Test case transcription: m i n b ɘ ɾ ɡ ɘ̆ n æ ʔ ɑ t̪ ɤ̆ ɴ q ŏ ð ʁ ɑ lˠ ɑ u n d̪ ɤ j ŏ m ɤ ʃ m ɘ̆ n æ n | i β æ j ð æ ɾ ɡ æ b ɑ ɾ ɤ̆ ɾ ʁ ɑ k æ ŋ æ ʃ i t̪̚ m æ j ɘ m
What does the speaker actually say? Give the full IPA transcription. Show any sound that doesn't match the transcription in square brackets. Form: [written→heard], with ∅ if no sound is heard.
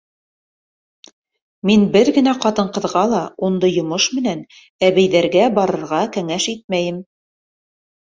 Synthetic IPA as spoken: m i n b ɘ ɾ ɡ ɘ̆ n æ [ʔ→q] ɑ t̪ ɤ̆ ɴ q [ŏ→ɤ̆] ð ʁ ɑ lˠ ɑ u n d̪ ɤ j ŏ m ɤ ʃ m ɘ̆ n æ n | [i→æ] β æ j ð æ ɾ ɡ æ b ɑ ɾ ɤ̆ ɾ ʁ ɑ k æ ŋ æ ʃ i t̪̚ m æ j ɘ m

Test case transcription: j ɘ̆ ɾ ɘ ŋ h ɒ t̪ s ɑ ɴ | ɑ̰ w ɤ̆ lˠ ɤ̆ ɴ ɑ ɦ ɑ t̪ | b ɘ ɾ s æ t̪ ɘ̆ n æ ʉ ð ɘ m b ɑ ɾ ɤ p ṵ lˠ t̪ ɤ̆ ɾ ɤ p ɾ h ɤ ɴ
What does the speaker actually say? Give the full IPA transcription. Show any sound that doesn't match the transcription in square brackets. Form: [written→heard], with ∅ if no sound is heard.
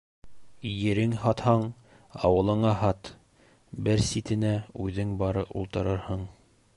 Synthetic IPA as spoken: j ɘ̆ ɾ ɘ ŋ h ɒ t̪ [s→h] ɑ ɴ | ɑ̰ w ɤ̆ lˠ ɤ̆ ɴ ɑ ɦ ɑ t̪ | b ɘ ɾ s [æ→i] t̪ ɘ̆ n æ ʉ ð ɘ [m→ŋ] b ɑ ɾ ɤ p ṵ lˠ t̪ ɤ̆ ɾ ɤ [p→∅] ɾ h ɤ ɴ

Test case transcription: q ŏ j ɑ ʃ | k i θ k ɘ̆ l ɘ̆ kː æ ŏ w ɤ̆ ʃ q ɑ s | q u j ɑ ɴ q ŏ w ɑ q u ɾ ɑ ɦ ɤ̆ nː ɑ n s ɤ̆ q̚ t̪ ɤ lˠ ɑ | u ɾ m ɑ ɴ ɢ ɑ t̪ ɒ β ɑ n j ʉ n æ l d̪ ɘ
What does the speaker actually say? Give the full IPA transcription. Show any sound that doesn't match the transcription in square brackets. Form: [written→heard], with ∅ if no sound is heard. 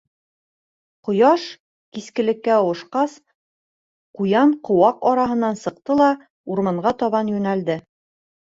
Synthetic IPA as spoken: q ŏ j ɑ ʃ | k i [θ→s] k ɘ̆ l ɘ̆ kː æ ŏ w ɤ̆ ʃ q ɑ s | q u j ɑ ɴ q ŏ w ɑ q [u→ɒ] ɾ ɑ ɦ ɤ̆ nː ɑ n s ɤ̆ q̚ t̪ ɤ lˠ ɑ | u ɾ m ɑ ɴ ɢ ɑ t̪ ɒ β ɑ n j ʉ n æ l d̪ ɘ

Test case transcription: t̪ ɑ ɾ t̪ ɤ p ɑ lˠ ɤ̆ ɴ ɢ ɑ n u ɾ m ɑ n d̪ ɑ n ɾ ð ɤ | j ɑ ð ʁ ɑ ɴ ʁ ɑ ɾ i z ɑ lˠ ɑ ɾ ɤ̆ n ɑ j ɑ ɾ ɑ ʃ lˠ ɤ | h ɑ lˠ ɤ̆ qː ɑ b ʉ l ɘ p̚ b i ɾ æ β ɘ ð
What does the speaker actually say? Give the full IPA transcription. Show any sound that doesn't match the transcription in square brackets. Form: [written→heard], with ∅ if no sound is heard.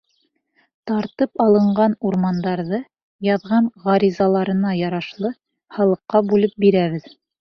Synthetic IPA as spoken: t̪ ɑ ɾ t̪ ɤ p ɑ lˠ ɤ̆ ɴ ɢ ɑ n u ɾ m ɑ n d̪ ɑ [n→∅] ɾ ð ɤ | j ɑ ð ʁ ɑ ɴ ʁ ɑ ɾ i z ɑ lˠ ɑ ɾ ɤ̆ n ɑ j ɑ ɾ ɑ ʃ lˠ ɤ | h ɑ lˠ ɤ̆ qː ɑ b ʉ l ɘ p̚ b i ɾ æ β ɘ ð

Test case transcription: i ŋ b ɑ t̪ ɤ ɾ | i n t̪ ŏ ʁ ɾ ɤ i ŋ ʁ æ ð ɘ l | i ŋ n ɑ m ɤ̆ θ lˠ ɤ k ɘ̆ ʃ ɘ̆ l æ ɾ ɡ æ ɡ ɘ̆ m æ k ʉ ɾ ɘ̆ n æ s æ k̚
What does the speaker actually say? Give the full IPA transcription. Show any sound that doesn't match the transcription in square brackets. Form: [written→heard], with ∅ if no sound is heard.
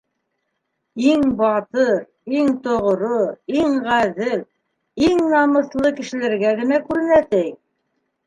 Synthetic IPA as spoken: i ŋ b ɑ t̪ ɤ ɾ | i [n→ŋ] t̪ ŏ ʁ ɾ [ɤ→o] i ŋ ʁ æ ð ɘ l | i ŋ n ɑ m ɤ̆ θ lˠ ɤ k ɘ̆ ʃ ɘ̆ l æ ɾ ɡ æ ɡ ɘ̆ [m→n] æ k ʉ ɾ ɘ̆ n æ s æ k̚

